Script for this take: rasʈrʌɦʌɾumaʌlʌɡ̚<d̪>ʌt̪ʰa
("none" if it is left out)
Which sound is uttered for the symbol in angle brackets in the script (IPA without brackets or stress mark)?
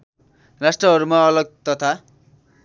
t̪